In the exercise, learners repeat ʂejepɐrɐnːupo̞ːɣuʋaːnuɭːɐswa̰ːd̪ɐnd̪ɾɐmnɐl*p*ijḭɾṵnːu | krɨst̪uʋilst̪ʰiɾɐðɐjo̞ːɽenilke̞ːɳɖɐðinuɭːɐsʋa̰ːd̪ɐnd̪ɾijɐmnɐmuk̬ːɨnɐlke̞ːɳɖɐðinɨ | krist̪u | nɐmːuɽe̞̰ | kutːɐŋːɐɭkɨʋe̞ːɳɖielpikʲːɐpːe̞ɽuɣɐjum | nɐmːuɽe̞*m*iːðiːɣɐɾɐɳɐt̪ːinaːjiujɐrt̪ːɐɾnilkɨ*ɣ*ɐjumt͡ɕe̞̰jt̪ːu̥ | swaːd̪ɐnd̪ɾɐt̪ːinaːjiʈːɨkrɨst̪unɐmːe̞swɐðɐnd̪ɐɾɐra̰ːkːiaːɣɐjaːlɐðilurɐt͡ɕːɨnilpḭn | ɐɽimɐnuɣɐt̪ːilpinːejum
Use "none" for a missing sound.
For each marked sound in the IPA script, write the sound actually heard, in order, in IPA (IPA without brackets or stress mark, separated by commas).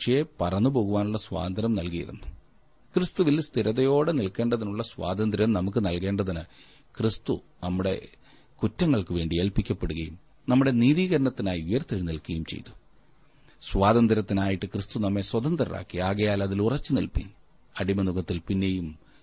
k, n, ɣ